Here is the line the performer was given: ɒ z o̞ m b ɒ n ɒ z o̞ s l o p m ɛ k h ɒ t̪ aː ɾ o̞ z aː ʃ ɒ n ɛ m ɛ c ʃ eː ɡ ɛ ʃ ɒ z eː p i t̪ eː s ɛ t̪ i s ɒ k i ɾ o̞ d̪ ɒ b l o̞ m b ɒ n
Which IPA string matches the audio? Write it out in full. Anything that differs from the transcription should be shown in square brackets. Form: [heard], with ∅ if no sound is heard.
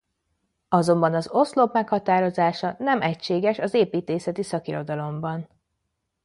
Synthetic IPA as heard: ɒ z o̞ m b ɒ n ɒ z o̞ s l o p m ɛ k h ɒ t̪ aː ɾ o̞ z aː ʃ ɒ n ɛ m ɛ c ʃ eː ɡ ɛ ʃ ɒ z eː p [iː] t̪ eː s ɛ t̪ i s ɒ k i ɾ o̞ d̪ ɒ [∅] l o̞ m b ɒ n